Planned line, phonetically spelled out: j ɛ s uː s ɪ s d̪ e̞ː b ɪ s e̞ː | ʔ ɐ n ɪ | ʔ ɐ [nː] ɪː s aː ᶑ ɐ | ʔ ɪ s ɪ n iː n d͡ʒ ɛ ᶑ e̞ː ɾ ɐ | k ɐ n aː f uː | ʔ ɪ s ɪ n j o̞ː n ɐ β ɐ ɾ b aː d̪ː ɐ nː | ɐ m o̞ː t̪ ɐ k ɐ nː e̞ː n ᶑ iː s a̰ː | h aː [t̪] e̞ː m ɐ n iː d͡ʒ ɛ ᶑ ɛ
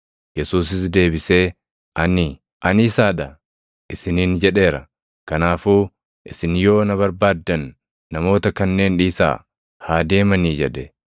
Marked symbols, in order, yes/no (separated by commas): no, no